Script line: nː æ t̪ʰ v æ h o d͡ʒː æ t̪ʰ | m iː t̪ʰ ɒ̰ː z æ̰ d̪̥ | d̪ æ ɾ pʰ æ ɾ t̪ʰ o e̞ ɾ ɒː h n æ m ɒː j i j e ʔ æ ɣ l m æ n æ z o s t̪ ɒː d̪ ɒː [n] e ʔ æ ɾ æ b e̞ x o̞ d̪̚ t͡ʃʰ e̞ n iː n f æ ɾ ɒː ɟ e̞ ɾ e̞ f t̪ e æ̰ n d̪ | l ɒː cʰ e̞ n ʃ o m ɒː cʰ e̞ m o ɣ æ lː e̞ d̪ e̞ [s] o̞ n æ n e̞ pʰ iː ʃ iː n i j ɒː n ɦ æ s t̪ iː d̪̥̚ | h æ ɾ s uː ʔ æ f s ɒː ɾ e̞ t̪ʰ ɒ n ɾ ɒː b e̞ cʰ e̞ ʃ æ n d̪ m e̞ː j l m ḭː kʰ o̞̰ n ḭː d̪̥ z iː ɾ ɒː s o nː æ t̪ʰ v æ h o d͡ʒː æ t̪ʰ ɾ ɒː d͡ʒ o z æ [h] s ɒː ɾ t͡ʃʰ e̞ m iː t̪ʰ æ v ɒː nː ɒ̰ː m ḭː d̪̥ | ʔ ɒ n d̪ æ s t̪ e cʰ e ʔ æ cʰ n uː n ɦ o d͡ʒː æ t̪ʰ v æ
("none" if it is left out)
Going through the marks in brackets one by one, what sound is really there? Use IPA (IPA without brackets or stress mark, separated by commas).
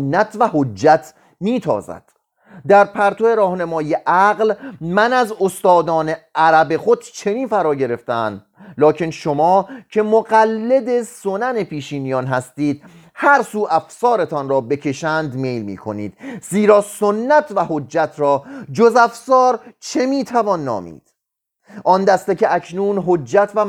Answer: n, s, f